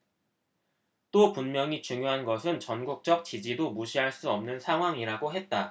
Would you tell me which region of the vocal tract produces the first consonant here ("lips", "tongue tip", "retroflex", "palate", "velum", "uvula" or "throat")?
tongue tip